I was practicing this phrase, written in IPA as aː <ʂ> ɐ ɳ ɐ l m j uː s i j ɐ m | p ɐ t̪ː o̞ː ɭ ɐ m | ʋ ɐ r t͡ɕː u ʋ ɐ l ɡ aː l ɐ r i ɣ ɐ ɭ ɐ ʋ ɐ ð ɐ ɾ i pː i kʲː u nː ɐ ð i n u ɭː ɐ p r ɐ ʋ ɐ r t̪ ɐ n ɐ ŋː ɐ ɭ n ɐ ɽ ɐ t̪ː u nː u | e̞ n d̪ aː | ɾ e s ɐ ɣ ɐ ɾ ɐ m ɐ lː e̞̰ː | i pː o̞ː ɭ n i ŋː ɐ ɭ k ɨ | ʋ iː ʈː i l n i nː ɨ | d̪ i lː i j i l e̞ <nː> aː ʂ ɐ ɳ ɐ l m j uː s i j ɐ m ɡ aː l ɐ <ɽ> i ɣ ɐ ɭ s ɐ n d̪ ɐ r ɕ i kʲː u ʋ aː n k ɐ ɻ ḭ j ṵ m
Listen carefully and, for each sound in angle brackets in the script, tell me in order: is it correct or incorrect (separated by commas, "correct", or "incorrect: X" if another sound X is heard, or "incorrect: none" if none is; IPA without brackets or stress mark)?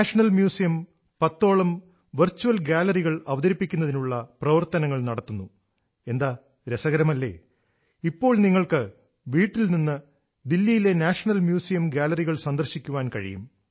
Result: correct, incorrect: n, incorrect: r